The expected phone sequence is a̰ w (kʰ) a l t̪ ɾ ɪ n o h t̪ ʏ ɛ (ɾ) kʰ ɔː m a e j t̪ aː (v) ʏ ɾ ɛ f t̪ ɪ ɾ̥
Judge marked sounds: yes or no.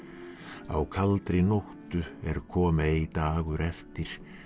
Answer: yes, yes, no

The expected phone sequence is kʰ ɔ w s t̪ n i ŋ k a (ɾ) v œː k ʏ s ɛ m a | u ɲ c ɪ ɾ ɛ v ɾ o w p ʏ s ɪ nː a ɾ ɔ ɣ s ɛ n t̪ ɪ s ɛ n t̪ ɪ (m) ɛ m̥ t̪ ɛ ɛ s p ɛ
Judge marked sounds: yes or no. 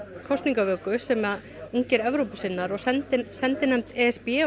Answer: no, no

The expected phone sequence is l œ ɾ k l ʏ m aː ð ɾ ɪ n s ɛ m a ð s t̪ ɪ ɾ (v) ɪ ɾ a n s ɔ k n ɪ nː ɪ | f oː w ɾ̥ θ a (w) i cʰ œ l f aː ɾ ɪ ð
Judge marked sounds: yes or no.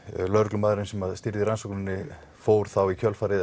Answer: no, yes

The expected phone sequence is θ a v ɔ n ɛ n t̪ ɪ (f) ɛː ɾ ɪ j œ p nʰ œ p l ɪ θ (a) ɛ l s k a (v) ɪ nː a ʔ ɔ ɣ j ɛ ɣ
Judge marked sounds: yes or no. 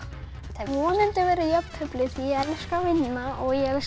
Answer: no, no, yes

